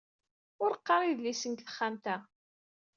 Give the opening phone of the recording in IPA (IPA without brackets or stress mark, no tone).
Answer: ʊ